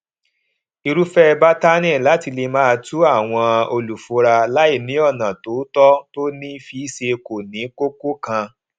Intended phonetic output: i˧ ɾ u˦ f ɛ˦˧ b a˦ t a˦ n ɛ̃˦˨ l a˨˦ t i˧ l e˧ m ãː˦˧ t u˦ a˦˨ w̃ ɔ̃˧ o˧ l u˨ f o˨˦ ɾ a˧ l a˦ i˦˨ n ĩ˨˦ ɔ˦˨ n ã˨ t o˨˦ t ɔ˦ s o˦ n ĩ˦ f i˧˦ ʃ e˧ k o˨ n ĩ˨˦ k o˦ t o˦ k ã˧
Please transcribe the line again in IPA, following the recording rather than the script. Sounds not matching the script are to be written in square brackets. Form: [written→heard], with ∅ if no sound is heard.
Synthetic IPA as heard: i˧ ɾ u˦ f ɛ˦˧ b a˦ t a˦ n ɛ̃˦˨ l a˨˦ t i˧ l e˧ m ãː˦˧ t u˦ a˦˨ w̃ ɔ̃˧ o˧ l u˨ f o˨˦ ɾ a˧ l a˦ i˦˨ n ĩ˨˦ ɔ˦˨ n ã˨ t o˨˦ t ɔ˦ [s→t] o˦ n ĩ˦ f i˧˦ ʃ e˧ k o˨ n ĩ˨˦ k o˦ [t→k] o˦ k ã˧